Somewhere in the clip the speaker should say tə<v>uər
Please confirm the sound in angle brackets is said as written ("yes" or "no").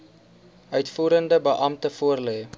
no